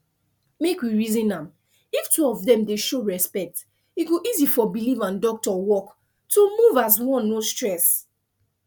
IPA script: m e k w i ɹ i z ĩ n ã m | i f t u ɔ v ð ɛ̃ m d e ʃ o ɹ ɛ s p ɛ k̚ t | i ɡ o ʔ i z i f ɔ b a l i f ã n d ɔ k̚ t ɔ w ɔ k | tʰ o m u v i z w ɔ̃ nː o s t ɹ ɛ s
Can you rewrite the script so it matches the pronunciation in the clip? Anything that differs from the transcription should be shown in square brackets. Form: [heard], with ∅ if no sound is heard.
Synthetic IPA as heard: m e k w i ɹ i z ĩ n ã m | i f t u ɔ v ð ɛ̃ m d e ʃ o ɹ ɛ s p ɛ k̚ t | i ɡ o ʔ i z i f ɔ b [i] l i [v] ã n d ɔ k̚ t ɔ w ɔ k | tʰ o m u v [a] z w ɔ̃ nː o s t ɹ ɛ s